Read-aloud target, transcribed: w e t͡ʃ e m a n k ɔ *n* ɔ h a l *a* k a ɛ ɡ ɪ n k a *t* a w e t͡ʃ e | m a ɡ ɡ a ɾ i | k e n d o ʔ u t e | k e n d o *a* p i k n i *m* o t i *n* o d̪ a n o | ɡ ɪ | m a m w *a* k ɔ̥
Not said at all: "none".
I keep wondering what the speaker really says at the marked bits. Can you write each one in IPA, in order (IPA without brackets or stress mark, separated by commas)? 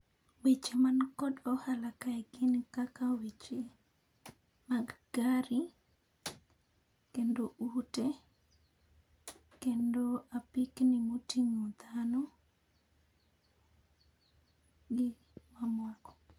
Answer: d, a, k, a, m, ŋ, a